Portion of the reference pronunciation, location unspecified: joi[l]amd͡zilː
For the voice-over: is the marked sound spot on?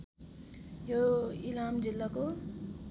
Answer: yes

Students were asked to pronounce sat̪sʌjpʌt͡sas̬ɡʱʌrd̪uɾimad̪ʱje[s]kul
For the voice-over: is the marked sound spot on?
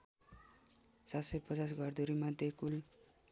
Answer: no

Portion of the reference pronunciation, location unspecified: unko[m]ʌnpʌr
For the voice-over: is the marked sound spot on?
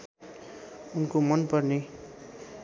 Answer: yes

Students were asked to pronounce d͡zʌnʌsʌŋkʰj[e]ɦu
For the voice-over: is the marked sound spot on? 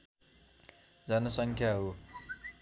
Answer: no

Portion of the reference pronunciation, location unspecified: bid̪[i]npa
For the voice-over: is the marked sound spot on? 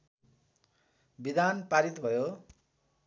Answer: no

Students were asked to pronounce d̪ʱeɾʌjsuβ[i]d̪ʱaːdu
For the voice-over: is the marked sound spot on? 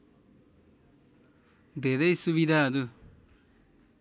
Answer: yes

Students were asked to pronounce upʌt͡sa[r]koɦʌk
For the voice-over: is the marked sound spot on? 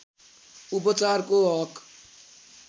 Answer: yes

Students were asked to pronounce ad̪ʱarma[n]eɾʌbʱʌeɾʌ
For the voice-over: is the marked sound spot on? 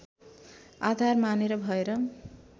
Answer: yes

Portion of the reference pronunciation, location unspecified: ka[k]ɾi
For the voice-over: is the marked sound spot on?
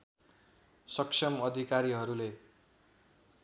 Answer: no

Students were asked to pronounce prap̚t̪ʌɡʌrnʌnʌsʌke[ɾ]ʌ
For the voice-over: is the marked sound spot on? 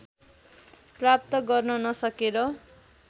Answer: yes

